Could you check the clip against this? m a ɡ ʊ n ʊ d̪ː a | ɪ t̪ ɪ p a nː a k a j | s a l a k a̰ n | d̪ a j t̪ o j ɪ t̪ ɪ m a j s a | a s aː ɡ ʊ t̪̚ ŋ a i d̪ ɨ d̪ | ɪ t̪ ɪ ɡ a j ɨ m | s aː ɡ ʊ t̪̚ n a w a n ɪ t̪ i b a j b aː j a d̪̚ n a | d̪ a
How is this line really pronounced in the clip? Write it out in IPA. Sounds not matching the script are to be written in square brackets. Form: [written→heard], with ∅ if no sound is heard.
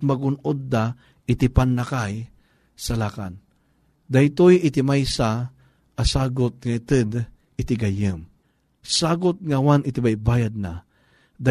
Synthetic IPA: m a ɡ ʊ n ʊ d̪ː a | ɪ t̪ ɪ p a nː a k a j | s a l a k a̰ n | d̪ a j t̪ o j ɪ t̪ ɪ m a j s a | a s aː ɡ ʊ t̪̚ ŋ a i [d̪→t̪] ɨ d̪ | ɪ t̪ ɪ ɡ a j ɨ m | s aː ɡ ʊ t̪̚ [n→ŋ] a w a n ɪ t̪ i b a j b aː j a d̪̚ n a | d̪ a